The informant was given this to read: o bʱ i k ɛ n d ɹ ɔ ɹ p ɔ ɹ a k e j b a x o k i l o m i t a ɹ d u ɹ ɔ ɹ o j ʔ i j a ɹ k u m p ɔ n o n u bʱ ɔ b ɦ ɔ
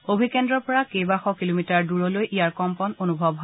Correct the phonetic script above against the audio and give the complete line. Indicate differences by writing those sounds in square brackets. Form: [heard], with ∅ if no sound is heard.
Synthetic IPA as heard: o bʱ i k ɛ n d ɹ ɔ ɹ p ɔ ɹ a k e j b a x [ɔ] k i l o m i t a ɹ d u ɹ ɔ [l] o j ʔ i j a ɹ k [ɔ] m p ɔ n o n u bʱ ɔ b ɦ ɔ